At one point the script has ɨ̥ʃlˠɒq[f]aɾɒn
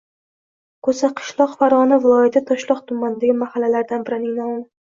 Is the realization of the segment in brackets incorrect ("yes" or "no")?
no